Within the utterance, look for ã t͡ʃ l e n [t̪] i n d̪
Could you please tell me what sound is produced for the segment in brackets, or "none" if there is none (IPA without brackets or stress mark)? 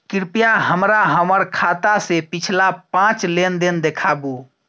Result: d̪